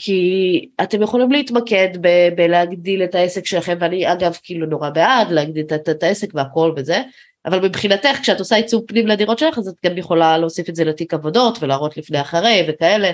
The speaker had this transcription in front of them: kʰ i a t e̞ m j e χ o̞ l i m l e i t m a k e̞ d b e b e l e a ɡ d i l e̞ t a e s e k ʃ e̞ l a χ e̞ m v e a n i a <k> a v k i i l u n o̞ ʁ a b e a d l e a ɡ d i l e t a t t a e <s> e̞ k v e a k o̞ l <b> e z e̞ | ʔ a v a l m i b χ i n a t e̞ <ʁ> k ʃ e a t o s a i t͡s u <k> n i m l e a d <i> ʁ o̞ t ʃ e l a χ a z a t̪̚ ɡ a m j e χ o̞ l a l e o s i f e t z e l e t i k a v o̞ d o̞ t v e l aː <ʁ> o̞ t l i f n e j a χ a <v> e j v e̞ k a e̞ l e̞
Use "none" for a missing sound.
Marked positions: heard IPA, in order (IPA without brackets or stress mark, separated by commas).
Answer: ɡ, s, v, χ, p, i, ʁ, ʁ